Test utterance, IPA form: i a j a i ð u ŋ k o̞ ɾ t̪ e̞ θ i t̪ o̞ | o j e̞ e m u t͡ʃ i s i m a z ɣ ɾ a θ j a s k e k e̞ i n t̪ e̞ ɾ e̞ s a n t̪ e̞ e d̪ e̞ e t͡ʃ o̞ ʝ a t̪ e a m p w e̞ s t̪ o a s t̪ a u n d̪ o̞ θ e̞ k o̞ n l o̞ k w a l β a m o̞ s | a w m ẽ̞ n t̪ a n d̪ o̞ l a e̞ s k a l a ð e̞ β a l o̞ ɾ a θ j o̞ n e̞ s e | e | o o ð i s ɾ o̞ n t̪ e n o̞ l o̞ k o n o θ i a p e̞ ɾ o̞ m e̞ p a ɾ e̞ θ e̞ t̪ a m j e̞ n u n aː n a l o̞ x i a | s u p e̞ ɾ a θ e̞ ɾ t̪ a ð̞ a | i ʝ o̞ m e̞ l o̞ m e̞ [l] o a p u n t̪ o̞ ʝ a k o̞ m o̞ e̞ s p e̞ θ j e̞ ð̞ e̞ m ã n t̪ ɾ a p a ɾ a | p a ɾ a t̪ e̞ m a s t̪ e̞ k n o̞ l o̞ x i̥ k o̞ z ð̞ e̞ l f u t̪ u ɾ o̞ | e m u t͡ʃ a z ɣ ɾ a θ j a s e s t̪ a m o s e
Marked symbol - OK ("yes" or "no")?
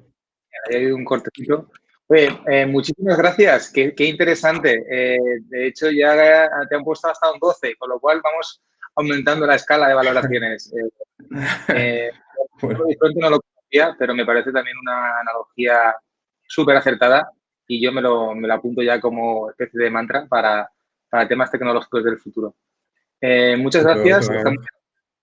yes